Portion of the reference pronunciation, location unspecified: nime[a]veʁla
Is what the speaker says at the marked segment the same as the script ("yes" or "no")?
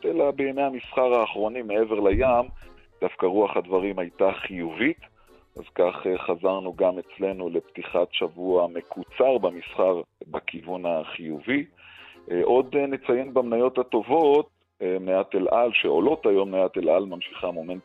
no